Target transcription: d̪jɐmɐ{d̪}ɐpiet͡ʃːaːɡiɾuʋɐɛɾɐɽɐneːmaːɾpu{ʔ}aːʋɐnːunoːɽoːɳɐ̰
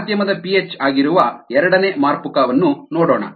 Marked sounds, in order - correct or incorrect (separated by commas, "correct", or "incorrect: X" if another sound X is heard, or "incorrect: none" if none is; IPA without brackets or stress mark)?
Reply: correct, incorrect: k